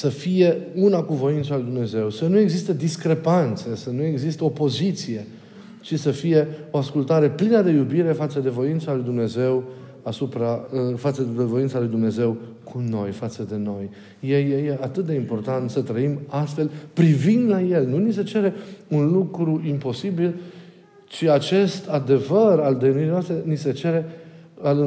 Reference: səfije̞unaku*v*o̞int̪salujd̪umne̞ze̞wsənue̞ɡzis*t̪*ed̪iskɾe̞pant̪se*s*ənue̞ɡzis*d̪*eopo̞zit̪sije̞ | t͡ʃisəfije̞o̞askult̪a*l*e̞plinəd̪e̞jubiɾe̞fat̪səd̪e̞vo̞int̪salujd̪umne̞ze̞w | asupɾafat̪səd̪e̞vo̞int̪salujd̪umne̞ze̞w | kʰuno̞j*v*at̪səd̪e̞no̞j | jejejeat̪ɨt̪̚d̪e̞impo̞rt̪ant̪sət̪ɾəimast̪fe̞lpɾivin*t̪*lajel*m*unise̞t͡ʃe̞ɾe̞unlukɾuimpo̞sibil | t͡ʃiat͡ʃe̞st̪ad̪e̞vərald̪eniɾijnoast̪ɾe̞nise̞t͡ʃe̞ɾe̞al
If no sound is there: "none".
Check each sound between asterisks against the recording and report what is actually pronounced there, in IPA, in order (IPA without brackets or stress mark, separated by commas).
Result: v, t̪, s, t̪, ɾ, f, d̪, n